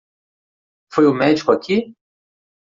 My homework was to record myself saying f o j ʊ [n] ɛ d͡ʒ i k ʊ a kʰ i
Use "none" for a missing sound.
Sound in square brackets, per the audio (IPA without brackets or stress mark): m